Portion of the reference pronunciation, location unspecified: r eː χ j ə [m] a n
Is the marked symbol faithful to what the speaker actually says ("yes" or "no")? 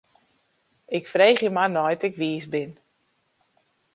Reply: yes